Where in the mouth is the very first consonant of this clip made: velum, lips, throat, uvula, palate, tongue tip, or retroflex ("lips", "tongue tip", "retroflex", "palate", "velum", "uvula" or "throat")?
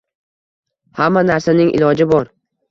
throat